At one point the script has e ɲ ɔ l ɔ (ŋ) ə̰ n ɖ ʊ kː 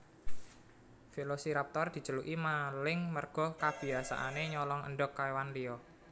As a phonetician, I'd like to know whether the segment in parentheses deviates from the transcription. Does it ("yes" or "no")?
no